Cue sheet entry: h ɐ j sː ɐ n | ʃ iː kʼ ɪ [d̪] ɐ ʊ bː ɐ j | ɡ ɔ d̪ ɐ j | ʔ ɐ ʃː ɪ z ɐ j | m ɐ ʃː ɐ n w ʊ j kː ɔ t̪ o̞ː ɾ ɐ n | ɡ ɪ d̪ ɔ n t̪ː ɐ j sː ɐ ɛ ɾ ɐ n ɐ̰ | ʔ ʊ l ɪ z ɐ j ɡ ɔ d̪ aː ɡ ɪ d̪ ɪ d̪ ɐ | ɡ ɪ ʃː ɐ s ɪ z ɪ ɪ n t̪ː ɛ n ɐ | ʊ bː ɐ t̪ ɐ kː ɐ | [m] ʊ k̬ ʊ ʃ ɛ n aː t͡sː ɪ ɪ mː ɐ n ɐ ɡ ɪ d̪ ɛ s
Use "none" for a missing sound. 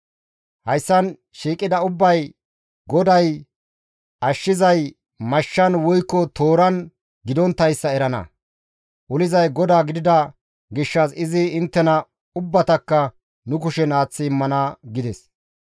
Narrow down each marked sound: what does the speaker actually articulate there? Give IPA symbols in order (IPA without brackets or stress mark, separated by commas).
d̪, n